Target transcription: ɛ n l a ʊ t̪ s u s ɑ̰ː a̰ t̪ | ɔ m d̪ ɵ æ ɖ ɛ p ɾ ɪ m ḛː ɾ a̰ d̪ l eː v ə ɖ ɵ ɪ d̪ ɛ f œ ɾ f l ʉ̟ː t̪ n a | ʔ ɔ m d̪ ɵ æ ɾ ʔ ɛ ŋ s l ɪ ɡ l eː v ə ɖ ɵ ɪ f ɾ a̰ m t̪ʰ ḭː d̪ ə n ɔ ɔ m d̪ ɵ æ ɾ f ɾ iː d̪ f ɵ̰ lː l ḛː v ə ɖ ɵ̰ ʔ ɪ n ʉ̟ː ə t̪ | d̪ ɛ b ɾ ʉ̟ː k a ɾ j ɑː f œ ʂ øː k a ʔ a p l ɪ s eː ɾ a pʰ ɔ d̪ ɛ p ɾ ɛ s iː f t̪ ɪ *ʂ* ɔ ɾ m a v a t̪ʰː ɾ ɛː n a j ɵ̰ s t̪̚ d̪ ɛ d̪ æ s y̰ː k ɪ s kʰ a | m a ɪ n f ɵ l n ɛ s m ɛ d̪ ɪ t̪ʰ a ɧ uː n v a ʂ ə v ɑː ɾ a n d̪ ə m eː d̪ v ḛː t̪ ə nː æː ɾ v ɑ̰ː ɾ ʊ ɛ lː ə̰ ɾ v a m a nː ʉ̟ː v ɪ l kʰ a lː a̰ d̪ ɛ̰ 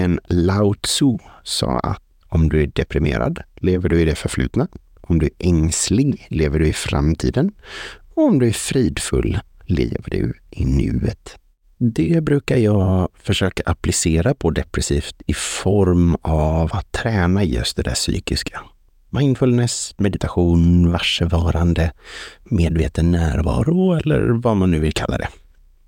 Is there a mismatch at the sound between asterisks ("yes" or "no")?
yes